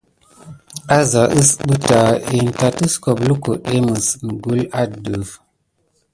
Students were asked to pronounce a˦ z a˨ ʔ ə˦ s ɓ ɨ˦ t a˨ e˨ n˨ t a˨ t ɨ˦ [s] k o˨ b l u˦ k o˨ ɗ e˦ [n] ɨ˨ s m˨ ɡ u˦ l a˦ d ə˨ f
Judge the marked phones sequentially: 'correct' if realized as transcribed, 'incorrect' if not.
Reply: correct, incorrect: m

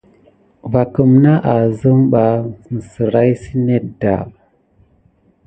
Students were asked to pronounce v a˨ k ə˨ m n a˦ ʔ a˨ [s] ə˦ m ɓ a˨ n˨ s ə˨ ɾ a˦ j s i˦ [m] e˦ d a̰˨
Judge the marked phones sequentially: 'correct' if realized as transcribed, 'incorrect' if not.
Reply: incorrect: z, incorrect: n

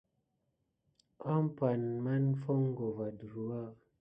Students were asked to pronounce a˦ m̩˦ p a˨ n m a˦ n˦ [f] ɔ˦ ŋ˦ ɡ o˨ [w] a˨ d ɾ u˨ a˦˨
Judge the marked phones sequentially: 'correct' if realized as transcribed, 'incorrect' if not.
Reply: correct, incorrect: v

